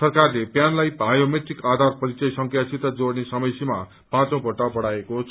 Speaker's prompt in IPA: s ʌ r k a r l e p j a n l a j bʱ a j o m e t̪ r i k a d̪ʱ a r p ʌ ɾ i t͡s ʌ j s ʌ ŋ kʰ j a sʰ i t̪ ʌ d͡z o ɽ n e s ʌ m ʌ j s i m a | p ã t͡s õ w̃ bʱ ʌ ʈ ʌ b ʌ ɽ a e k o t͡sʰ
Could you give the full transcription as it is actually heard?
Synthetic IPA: s ʌ r k a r l e p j a n l a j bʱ a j o m e t̪ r i k a d̪ʱ a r p ʌ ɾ i t͡s ʌ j s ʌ ŋ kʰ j a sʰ i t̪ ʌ d͡z o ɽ n e s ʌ m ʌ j s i m a | p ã t͡s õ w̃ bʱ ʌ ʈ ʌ b ʌ ɽ a e k o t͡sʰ